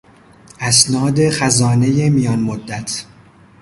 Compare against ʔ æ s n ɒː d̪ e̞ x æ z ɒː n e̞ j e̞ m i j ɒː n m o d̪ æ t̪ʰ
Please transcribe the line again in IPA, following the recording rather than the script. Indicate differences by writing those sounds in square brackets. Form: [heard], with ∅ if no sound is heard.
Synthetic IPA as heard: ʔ æ s n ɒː d̪ e̞ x æ z ɒː n e̞ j e̞ m i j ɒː n m o [d̪ː] æ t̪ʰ